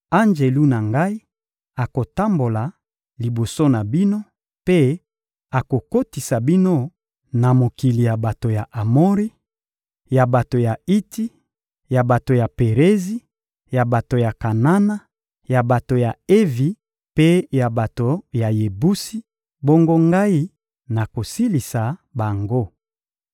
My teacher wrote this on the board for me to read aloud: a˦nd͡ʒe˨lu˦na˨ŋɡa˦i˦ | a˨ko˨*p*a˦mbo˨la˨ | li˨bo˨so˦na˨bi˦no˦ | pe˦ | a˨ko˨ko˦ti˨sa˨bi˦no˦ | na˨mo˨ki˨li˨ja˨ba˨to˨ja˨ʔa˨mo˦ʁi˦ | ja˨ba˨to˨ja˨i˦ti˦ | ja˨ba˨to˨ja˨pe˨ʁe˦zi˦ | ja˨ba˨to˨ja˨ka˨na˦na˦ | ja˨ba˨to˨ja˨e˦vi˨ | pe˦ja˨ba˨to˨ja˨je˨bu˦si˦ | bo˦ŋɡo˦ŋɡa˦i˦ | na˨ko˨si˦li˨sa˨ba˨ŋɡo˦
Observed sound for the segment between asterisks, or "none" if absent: t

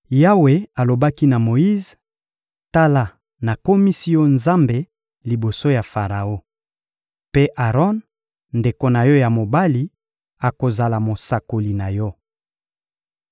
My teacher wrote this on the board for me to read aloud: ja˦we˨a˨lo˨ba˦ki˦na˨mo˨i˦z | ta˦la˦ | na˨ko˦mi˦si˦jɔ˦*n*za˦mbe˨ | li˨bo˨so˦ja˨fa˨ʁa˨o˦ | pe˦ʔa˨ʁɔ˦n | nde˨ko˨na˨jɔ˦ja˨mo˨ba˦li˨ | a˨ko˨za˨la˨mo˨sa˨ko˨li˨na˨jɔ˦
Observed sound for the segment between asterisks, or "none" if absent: n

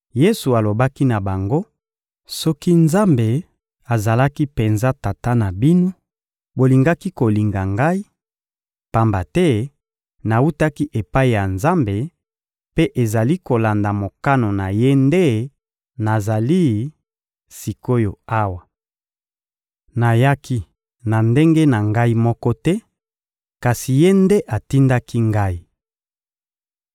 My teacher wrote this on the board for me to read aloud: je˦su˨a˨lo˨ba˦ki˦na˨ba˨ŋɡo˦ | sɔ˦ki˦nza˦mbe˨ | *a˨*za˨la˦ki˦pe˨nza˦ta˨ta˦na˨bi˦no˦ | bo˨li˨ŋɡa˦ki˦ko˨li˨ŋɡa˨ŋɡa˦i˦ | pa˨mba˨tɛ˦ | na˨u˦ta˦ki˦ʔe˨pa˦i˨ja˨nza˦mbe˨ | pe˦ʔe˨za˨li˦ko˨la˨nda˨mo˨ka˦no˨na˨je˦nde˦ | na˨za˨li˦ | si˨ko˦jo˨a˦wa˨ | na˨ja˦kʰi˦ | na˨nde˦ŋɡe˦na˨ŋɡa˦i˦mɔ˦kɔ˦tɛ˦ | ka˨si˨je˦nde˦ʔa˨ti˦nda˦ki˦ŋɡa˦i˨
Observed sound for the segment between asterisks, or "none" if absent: a˨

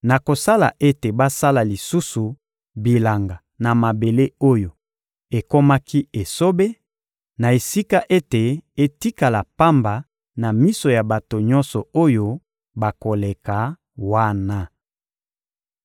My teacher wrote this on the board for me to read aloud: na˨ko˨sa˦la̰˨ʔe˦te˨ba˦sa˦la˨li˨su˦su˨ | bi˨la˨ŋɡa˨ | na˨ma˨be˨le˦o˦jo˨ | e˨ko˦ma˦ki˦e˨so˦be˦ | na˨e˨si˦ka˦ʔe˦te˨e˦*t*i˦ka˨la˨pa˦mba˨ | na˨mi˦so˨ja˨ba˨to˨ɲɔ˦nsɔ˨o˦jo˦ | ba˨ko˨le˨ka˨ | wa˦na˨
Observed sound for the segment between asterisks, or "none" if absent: t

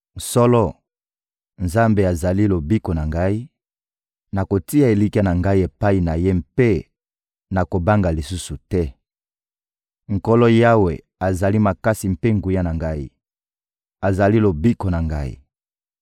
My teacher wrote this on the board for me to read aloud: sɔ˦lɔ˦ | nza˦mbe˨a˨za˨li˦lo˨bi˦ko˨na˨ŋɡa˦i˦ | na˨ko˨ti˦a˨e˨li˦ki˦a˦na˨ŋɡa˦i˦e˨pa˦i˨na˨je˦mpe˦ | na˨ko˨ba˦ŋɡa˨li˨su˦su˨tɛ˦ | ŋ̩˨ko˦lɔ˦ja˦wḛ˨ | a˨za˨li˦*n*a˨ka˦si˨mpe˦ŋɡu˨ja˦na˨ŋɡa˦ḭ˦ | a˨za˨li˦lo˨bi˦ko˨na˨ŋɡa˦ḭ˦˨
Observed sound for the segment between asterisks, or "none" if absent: m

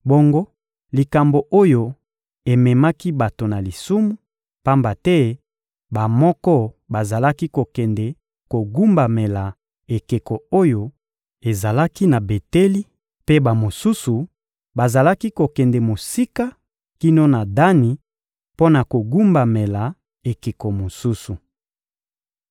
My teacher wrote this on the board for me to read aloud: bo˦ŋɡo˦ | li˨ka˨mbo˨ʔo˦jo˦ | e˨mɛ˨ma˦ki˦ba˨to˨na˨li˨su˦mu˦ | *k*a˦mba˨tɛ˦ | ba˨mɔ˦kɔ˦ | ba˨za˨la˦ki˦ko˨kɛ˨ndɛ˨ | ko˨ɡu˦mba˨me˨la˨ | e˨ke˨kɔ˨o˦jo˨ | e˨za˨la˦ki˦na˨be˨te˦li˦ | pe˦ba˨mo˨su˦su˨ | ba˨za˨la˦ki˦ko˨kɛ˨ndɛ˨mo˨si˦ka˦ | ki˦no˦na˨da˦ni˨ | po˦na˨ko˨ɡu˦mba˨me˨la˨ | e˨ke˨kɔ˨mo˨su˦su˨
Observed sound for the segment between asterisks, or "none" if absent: p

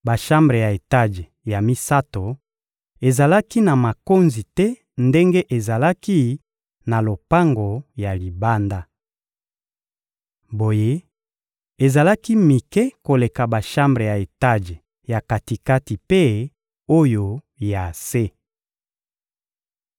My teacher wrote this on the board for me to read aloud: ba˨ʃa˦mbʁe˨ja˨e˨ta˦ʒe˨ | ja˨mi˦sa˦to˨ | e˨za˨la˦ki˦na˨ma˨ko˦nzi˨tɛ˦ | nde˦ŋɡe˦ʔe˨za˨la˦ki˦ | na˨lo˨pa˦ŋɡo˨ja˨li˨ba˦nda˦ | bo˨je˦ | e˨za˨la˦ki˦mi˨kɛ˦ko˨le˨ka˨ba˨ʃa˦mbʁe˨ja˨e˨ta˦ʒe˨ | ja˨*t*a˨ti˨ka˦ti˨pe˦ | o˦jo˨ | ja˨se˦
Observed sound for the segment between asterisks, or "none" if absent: k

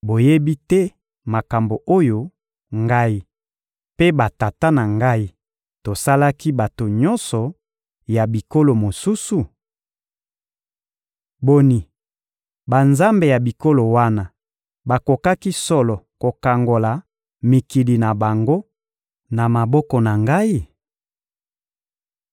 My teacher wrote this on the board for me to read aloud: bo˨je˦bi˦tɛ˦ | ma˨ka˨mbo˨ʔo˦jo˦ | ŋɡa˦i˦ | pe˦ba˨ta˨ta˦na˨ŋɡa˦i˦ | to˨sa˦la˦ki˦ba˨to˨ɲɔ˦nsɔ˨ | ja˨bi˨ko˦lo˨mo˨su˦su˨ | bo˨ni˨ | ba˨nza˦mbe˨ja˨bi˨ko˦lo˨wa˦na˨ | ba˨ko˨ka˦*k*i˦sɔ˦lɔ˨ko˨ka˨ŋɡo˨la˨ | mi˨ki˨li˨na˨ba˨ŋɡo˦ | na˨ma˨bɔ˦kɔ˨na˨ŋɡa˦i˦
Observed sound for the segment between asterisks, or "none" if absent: k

